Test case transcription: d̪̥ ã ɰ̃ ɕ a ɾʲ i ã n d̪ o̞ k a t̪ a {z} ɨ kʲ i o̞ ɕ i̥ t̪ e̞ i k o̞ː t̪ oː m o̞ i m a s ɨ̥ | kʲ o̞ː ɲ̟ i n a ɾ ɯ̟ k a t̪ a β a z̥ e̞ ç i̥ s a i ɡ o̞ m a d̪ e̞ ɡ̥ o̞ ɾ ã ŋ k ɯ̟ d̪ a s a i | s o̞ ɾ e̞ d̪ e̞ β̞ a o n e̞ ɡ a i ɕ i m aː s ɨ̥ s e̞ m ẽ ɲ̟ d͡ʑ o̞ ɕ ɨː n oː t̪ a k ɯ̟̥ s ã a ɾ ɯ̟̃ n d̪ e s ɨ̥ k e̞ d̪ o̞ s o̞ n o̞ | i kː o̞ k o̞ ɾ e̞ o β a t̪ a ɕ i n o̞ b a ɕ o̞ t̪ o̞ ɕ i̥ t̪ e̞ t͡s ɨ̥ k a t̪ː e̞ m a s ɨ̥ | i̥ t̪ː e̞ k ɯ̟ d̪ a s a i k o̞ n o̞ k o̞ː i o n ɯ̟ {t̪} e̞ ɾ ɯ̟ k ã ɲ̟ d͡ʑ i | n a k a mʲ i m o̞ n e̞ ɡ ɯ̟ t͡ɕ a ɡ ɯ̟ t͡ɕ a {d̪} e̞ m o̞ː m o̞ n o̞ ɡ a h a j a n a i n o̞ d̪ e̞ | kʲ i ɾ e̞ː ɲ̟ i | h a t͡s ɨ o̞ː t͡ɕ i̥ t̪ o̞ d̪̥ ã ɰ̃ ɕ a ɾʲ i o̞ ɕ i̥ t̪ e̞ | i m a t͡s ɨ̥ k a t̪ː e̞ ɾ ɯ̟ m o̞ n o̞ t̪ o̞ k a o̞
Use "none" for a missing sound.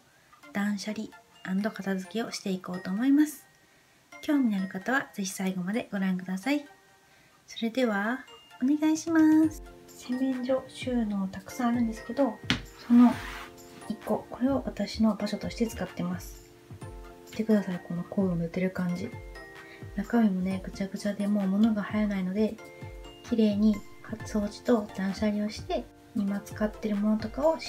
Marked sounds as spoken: z, t̪, d̪

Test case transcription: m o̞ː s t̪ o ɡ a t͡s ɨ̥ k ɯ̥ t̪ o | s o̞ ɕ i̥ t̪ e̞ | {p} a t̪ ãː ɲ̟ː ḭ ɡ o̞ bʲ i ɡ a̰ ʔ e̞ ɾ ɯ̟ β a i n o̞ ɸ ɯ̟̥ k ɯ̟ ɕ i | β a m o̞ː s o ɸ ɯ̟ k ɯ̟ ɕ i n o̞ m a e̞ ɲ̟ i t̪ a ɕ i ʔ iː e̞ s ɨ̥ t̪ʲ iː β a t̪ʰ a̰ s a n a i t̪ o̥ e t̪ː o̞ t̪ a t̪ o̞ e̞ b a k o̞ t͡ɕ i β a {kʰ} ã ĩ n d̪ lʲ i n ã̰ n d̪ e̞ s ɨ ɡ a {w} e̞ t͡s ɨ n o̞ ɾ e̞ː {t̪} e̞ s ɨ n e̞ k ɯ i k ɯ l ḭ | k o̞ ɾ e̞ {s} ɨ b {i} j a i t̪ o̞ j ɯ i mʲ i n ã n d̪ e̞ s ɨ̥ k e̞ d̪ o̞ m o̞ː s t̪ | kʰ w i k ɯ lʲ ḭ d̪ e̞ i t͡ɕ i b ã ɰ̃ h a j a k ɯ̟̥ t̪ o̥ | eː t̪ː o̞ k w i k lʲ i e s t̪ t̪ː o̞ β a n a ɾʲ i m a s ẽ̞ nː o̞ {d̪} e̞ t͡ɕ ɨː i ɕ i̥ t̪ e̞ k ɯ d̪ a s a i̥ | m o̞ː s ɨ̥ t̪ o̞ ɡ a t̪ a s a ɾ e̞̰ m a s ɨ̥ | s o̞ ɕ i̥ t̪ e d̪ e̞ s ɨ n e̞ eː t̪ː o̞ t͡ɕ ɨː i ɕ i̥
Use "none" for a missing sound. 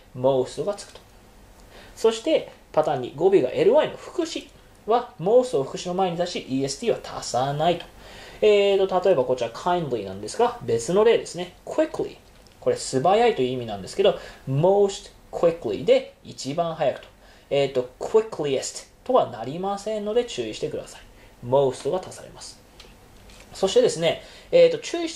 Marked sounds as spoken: p, kʰ, b, d̪, s, a, d̪

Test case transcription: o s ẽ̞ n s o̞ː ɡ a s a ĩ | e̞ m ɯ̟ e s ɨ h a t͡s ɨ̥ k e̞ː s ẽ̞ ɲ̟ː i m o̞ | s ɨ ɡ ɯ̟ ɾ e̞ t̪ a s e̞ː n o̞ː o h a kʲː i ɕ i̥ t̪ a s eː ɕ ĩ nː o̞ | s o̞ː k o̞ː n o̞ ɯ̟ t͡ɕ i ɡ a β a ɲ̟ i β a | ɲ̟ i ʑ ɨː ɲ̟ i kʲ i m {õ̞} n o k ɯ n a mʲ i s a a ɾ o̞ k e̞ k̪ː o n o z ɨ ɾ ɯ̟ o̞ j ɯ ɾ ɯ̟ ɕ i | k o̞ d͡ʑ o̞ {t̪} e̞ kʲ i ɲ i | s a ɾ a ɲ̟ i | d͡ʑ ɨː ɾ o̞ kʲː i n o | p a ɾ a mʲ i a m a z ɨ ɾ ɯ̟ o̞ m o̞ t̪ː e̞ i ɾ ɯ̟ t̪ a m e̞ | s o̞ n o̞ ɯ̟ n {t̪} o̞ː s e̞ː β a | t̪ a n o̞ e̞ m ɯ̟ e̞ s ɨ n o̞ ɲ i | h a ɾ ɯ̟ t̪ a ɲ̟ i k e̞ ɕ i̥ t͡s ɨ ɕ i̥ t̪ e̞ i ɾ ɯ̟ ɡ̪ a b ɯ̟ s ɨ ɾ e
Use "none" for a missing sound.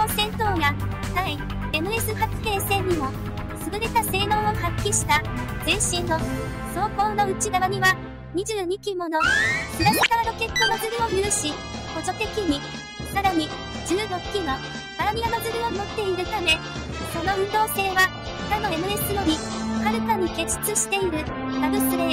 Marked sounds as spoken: o̞, t̪, d̪

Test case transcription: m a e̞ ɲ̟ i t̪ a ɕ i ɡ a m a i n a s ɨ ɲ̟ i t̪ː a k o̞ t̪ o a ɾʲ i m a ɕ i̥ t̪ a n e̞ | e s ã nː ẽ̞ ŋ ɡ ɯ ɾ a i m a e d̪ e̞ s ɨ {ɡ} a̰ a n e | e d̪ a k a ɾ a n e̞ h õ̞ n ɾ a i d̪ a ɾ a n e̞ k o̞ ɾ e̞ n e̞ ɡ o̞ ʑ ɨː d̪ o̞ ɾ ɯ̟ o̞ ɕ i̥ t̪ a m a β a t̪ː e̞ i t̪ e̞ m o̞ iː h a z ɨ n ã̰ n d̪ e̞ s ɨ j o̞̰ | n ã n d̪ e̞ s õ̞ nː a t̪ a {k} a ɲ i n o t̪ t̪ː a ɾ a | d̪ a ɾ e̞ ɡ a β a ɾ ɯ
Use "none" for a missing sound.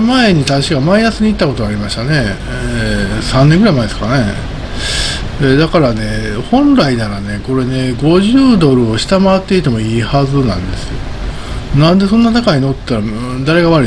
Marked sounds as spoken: k, k

